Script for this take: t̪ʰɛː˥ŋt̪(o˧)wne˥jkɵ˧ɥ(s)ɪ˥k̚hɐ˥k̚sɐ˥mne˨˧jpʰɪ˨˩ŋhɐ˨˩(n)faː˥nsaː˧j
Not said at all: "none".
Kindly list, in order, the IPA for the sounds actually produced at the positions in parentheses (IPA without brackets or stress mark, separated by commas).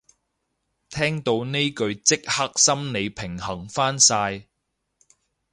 o˧, t͡s, ŋ